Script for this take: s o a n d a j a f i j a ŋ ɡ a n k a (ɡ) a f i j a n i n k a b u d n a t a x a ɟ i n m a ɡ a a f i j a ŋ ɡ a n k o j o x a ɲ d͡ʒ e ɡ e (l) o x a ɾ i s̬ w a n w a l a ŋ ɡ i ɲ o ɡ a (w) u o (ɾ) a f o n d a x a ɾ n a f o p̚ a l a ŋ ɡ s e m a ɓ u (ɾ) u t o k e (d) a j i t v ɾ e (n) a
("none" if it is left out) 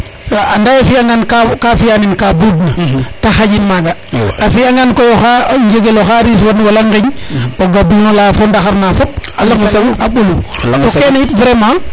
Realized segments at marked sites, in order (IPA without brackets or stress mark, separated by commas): k, l, b, l, l, n, m